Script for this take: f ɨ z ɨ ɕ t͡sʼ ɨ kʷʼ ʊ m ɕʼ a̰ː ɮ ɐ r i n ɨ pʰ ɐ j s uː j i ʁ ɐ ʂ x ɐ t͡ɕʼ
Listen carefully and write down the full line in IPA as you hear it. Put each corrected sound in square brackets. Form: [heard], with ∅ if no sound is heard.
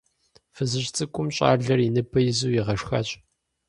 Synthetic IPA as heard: f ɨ z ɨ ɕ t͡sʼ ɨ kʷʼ ʊ m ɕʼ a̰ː ɮ ɐ r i n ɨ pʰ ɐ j [z] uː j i ʁ ɐ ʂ x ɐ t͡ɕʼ